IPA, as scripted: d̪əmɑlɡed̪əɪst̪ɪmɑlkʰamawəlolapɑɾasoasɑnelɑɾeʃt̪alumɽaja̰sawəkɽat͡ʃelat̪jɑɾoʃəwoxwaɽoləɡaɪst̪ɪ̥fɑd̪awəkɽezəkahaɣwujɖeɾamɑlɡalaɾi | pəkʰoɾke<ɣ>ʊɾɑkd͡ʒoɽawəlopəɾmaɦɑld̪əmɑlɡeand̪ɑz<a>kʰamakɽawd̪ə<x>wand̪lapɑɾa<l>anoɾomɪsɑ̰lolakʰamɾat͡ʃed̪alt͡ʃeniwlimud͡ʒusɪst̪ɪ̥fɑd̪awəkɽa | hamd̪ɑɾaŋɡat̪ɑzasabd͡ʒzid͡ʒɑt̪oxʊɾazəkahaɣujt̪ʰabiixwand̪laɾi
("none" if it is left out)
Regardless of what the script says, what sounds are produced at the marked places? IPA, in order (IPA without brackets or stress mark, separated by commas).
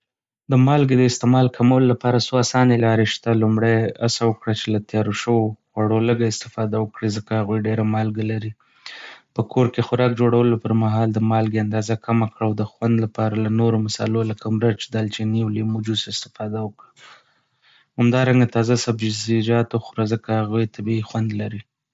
x, a, x, l